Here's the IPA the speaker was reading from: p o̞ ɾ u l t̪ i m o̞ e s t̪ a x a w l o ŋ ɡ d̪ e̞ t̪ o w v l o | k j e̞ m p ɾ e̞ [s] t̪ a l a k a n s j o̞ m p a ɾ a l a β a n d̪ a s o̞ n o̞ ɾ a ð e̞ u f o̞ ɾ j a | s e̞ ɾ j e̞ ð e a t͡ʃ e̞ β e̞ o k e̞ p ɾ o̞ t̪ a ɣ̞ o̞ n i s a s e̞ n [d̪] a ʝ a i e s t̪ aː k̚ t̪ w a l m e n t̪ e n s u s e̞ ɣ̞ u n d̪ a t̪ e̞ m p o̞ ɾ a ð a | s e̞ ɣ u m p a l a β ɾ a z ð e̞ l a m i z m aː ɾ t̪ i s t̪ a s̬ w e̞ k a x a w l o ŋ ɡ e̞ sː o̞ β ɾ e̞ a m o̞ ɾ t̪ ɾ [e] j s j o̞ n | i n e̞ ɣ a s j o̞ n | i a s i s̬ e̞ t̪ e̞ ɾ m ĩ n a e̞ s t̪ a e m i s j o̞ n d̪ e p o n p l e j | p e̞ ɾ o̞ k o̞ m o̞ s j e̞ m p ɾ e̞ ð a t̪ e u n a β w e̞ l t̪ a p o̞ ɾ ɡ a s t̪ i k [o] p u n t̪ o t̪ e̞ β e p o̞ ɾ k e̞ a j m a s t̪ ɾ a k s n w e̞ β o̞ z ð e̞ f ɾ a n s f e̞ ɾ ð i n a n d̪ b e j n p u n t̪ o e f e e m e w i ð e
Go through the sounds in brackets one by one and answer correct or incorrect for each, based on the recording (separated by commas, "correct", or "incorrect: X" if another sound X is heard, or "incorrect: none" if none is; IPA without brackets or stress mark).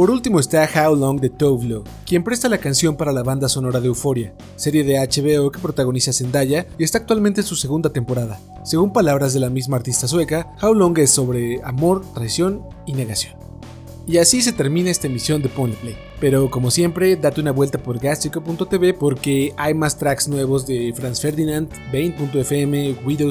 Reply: correct, correct, incorrect: a, correct